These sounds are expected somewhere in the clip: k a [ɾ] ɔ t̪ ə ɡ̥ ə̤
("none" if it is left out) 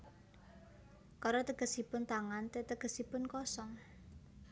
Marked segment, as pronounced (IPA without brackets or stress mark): ɾ